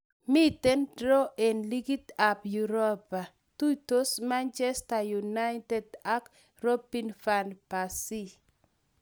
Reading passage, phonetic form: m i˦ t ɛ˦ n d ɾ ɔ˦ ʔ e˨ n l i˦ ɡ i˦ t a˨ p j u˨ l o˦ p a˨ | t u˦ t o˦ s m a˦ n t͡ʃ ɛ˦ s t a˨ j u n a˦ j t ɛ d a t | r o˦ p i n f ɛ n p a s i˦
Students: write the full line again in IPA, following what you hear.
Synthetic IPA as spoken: m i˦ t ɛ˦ n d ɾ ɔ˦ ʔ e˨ n l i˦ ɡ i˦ t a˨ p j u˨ ɾ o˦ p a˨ | t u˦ t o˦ s m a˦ n t͡ʃ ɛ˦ s t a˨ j u n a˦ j t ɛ d a k | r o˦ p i n f a n p a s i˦